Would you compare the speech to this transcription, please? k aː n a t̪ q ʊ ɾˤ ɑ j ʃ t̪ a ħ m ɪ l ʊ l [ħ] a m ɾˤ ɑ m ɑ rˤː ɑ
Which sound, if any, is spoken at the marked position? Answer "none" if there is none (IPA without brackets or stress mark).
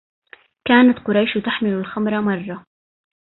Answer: x